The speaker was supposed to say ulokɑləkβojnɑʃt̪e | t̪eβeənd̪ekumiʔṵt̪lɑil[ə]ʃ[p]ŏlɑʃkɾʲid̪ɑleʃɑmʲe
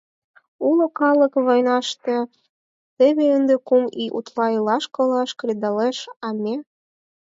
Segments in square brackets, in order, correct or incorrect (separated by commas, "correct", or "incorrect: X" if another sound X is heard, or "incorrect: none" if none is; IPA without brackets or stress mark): incorrect: ɑ, incorrect: k